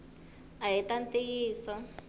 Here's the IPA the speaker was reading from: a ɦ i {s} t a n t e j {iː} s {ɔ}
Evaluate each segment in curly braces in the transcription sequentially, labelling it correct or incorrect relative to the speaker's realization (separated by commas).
incorrect, correct, correct